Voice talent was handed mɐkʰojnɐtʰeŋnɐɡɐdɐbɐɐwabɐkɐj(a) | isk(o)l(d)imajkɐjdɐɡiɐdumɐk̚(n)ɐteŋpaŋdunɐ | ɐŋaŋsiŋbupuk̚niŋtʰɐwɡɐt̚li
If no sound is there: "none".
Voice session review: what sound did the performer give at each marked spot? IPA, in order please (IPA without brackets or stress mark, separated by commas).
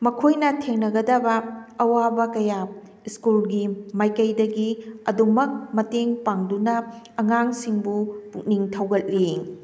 a, u, ɡ, m